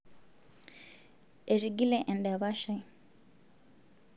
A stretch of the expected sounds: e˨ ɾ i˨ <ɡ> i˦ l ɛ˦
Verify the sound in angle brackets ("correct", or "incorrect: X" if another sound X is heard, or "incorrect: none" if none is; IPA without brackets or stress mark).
correct